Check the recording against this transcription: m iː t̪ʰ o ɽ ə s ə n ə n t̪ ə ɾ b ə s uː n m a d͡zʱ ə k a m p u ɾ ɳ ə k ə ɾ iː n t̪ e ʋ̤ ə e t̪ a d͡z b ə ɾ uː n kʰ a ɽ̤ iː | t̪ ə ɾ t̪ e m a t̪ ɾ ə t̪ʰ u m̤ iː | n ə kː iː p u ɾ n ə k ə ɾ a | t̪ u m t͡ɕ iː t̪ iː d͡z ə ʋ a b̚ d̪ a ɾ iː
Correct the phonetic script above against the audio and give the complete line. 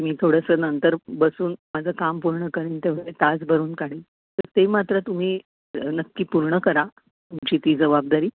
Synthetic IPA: m iː t̪ʰ o ɽ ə s ə n ə n t̪ ə ɾ b ə s uː n m a d͡zʱ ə k a m p u ɾ ɳ ə k ə ɾ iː n t̪ e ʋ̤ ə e t̪ a d͡z b ə ɾ uː n k a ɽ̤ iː | t̪ ə ɾ t̪ e m a t̪ ɾ ə t̪ u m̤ iː | n ə kː iː p u ɾ ɳ ə k ə ɾ a | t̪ u m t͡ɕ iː t̪ iː d͡z ə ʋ a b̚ d̪ a ɾ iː